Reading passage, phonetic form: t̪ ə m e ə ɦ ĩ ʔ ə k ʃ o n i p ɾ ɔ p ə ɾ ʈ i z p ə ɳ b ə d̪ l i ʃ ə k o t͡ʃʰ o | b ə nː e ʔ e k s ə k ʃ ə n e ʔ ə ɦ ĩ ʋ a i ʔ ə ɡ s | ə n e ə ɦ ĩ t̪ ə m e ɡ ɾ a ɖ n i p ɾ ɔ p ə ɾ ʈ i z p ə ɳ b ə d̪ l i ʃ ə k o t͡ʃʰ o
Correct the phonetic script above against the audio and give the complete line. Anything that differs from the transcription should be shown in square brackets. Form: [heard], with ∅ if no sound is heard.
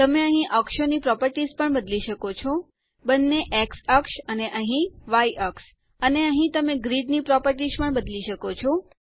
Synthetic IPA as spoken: t̪ ə m e ə ɦ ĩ ʔ ə k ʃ o n i p ɾ ɔ p ə ɾ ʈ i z p ə ɳ b ə d̪ l i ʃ ə k o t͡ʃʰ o | b ə nː e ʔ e k s ə k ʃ ə n e ʔ ə ɦ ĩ ʋ a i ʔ ə [k] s | ə n e ə ɦ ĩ t̪ ə m e ɡ ɾ [i] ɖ n i p ɾ ɔ p ə ɾ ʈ i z p ə ɳ b ə d̪ l i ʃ ə k o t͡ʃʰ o